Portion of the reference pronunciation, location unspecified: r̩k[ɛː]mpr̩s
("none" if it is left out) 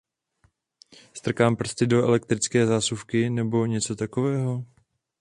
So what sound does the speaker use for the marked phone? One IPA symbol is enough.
aː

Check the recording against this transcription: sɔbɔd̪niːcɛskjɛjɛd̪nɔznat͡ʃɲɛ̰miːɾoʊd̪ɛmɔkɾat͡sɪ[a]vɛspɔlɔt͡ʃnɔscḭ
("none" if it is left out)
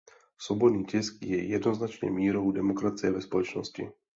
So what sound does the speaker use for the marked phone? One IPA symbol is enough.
ɛ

